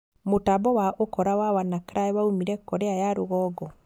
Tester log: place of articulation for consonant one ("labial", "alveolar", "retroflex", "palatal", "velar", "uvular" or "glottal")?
labial